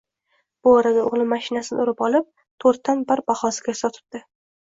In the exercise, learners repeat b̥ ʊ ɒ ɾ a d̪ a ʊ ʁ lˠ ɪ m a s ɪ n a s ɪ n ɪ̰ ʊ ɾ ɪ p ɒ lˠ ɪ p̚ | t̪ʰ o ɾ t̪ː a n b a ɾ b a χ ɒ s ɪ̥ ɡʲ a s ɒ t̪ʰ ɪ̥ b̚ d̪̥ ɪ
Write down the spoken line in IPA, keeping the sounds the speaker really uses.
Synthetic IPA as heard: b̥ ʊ ɒ ɾ a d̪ a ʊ ʁ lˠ ɪ m a ʃ ɪ n a s ɪ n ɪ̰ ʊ ɾ ɪ p ɒ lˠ ɪ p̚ | t̪ʰ o ɾ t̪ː a n b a ɾ b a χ ɒ s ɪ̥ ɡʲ a s ɒ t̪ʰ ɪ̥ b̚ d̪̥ ɪ